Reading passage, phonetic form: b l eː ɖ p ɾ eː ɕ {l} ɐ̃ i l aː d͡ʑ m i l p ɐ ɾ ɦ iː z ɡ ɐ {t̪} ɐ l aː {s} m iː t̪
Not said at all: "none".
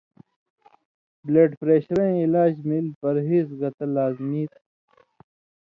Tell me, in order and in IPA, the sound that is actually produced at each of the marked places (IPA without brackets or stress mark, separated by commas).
ɾ, t̪, z